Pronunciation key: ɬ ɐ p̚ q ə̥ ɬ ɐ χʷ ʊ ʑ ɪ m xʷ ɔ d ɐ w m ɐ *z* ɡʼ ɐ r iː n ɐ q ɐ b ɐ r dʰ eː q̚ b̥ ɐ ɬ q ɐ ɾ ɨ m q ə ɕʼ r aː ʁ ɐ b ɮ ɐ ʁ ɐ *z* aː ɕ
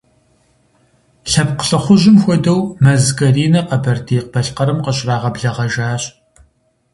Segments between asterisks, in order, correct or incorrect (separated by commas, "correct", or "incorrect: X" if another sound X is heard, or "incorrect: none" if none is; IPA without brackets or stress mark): correct, incorrect: ʒ